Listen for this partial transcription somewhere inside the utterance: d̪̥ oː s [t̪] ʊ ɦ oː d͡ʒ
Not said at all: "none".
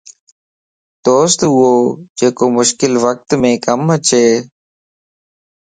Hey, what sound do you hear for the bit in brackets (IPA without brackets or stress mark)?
t̪